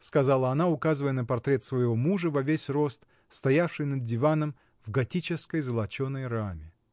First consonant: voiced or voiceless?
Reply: voiceless